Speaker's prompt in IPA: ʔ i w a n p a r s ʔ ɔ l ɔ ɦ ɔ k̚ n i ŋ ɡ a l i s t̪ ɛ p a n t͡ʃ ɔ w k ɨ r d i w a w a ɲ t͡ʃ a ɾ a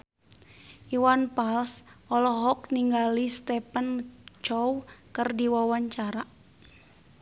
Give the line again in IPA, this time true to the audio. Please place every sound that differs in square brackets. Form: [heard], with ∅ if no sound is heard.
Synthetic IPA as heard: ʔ i w a n p a [l] s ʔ ɔ l ɔ ɦ ɔ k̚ n i ŋ ɡ a l i s t̪ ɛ p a n t͡ʃ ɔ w k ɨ r d i w a w a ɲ t͡ʃ a ɾ a